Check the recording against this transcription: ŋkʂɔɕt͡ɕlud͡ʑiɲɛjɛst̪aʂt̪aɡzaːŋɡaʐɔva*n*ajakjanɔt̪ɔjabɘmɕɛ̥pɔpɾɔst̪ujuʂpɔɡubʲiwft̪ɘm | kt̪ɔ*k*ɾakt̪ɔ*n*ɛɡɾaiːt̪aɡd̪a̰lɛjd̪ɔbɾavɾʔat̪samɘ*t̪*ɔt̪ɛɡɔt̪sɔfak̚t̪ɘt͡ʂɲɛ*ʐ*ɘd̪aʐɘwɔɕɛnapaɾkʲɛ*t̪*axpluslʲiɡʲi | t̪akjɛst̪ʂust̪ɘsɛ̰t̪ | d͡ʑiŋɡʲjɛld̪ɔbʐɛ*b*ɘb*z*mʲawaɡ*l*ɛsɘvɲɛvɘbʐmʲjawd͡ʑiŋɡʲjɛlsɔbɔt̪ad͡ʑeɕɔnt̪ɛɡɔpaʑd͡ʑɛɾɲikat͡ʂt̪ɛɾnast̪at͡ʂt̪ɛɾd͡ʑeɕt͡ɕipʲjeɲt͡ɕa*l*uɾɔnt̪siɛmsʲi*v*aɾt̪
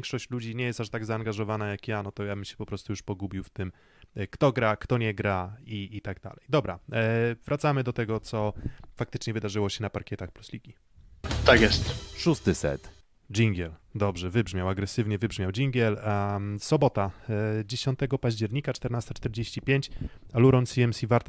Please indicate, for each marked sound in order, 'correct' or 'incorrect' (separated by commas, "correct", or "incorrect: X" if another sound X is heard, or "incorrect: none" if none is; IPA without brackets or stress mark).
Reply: correct, incorrect: ɡ, incorrect: ɲ, incorrect: d̪, incorrect: v, correct, incorrect: v, incorrect: ʐ, incorrect: ɾ, correct, correct